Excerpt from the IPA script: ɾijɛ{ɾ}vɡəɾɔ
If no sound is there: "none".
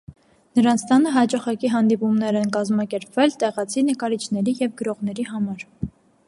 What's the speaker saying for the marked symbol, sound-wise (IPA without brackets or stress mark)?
none